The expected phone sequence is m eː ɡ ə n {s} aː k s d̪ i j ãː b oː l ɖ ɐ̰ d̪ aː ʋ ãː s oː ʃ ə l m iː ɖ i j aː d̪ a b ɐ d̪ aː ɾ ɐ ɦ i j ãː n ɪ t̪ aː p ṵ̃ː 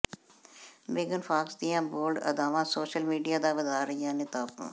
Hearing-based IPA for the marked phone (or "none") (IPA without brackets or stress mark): f